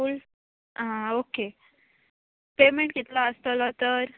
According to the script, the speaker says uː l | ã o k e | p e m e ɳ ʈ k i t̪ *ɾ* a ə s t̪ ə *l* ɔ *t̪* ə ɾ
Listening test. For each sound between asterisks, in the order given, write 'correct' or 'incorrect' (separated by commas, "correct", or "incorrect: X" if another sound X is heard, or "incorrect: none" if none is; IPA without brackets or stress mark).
incorrect: l, correct, correct